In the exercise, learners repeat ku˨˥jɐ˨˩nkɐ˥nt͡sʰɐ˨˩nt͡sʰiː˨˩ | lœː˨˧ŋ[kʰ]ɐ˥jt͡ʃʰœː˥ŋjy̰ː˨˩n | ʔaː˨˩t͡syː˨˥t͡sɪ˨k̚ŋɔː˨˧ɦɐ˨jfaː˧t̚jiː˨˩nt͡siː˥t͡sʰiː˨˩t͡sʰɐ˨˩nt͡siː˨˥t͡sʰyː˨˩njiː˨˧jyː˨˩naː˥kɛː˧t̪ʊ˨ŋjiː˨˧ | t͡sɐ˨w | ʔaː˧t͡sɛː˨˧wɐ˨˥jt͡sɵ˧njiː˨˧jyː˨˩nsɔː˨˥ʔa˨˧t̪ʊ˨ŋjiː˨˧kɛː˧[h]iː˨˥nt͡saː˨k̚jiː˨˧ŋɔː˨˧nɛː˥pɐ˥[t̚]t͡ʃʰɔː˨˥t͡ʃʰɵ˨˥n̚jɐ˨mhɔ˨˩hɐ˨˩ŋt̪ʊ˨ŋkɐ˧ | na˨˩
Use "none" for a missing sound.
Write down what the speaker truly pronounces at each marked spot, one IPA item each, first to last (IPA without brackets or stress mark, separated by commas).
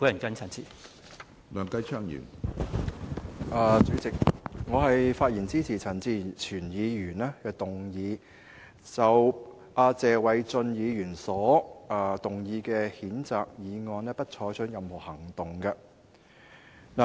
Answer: k, h, t̚